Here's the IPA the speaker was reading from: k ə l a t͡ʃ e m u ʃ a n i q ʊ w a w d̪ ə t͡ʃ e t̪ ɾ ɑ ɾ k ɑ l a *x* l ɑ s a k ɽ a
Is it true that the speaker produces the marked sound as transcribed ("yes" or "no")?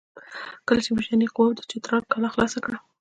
yes